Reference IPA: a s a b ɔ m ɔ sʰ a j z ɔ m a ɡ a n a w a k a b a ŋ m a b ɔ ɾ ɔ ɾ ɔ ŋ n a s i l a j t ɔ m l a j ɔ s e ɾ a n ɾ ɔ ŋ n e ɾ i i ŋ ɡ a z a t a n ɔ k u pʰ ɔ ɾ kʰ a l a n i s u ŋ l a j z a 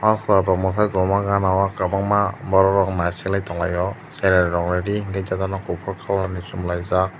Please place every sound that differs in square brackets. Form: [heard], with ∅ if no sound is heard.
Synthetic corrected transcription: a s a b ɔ m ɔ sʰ a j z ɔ m a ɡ a n a w a k a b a ŋ m a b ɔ ɾ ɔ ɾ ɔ ŋ n a s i l a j t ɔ [ŋ] l a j ɔ s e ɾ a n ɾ ɔ ŋ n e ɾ i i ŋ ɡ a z a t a n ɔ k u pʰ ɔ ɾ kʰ a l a n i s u [m] l a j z a